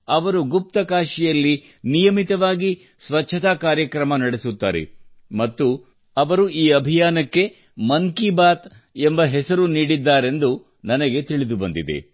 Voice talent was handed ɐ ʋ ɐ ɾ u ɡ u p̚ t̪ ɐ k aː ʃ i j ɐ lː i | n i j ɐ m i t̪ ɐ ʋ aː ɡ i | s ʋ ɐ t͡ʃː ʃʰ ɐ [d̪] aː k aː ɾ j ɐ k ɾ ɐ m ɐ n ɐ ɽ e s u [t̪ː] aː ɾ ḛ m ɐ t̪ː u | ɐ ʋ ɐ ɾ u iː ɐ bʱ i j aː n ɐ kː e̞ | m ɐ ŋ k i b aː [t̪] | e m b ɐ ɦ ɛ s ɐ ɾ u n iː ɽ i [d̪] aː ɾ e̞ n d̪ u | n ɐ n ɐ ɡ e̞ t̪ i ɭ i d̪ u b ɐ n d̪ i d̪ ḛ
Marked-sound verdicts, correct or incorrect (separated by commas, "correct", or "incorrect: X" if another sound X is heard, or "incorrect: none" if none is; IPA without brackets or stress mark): incorrect: t̪, correct, correct, incorrect: d̪ː